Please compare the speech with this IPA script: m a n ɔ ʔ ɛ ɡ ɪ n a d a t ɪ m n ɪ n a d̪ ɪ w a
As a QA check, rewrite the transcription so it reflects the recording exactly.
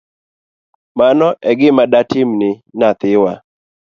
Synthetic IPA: m a n ɔ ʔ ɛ ɡ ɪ m a d a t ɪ m n ɪ n a t̪ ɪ w a